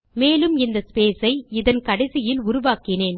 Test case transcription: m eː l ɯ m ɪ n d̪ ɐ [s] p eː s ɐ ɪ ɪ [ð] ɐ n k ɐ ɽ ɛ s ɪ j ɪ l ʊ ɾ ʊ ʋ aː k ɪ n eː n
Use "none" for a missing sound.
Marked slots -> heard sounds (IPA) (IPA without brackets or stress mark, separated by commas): s, ð